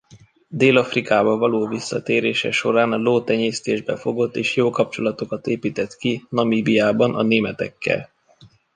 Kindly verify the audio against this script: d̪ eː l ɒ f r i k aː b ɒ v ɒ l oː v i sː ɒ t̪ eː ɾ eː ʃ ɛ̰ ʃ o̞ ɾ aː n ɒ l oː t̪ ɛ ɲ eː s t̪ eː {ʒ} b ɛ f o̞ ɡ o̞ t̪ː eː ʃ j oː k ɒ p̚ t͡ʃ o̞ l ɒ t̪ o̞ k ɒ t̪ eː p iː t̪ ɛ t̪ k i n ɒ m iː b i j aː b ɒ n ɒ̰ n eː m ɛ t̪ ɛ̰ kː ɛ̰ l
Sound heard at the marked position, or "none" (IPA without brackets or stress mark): ʒ